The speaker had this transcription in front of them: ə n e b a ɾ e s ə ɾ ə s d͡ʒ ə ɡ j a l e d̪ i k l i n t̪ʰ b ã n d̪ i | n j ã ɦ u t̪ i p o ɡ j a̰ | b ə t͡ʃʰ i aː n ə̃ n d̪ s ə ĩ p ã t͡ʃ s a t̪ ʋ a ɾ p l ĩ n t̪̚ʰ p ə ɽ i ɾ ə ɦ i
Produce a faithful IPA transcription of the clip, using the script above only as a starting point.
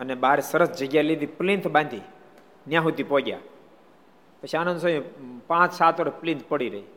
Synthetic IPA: ə n e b a ɾ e s ə ɾ ə s d͡ʒ ə ɡ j a l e d̪ i p l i n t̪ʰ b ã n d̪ i | n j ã ɦ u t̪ i p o ɡ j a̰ | p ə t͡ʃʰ i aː n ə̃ n d̪ s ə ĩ p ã t͡ʃ s a t̪ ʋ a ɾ p l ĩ n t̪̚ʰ p ə ɽ i ɾ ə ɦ i